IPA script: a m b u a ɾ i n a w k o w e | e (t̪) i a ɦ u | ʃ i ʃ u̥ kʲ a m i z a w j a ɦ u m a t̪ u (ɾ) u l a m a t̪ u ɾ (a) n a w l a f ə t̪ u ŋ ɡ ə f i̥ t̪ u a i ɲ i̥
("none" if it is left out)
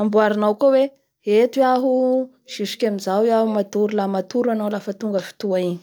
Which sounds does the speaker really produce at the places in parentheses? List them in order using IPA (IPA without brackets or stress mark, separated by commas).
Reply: t̪, ɾ, a